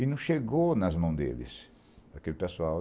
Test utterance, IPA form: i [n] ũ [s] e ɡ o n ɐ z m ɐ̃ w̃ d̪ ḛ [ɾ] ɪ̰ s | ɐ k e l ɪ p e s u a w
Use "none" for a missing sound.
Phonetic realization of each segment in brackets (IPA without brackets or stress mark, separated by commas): n, ʃ, l